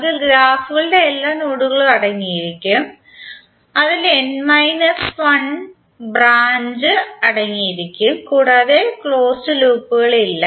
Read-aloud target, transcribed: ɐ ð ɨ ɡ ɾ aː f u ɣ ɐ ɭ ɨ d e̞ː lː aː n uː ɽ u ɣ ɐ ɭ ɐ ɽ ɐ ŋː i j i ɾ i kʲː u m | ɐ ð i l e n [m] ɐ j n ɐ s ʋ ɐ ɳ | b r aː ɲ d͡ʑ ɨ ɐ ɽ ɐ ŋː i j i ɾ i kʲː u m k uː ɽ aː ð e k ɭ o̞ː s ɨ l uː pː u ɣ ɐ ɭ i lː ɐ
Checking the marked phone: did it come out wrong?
no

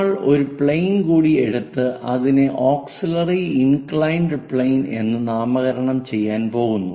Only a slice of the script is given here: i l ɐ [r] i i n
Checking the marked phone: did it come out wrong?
no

